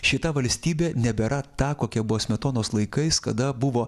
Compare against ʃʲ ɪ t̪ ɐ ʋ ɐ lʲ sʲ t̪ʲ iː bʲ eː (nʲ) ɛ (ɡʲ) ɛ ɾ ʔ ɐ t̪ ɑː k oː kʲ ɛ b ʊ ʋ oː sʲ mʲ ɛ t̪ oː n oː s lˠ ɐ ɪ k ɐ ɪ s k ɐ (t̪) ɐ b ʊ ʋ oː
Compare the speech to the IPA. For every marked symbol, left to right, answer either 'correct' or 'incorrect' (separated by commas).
correct, incorrect, incorrect